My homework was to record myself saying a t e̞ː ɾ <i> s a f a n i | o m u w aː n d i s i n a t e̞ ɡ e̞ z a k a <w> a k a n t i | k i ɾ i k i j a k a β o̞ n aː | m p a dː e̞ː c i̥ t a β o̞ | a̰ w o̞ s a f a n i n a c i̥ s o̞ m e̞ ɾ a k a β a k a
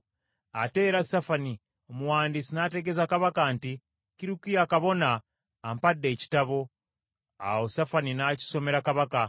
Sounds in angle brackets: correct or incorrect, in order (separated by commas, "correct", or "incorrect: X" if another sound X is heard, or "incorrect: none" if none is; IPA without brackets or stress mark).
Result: incorrect: a, incorrect: β